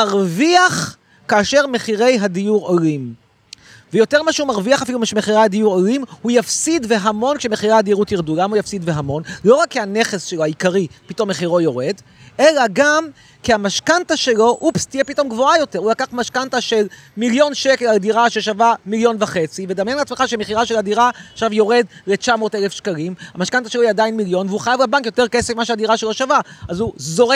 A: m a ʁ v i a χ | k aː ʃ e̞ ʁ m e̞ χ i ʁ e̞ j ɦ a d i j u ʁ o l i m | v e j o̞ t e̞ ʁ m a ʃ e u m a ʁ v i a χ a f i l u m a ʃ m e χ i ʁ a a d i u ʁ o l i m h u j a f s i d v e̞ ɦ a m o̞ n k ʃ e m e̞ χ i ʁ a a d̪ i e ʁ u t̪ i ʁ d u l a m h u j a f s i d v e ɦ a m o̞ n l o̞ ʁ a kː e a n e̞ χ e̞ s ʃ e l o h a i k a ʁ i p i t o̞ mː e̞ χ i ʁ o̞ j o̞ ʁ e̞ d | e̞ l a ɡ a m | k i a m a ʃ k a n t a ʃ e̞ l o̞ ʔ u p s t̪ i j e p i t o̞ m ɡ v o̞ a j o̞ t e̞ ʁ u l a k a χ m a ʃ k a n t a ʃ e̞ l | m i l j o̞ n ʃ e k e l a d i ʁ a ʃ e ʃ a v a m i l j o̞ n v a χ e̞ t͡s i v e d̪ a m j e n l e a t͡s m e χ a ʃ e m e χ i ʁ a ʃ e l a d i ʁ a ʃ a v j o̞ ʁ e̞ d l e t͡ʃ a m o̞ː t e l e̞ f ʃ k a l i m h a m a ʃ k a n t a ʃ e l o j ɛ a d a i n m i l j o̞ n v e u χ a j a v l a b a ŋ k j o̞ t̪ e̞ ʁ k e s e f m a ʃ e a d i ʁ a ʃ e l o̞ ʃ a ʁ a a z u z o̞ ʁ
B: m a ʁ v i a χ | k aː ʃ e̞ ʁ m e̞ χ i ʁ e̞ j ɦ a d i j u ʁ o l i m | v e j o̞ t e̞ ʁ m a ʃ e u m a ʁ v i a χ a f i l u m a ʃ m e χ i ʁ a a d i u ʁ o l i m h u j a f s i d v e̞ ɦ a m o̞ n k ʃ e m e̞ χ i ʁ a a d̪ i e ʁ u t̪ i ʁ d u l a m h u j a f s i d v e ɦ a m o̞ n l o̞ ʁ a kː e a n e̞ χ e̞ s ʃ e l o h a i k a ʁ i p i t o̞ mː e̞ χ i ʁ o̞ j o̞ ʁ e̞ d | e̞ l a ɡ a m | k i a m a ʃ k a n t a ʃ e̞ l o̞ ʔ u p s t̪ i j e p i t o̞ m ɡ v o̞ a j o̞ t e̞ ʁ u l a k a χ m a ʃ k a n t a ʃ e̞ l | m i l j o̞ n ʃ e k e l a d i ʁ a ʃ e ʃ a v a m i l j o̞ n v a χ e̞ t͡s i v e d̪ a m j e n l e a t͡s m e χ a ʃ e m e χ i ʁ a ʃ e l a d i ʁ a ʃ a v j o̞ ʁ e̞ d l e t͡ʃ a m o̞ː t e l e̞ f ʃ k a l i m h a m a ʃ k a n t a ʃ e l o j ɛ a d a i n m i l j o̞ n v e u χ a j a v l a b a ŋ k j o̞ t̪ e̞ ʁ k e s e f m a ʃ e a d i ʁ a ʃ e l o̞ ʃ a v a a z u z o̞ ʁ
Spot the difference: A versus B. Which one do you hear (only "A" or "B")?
B